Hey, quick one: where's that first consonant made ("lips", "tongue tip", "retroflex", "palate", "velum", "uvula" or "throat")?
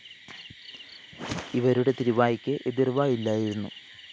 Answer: lips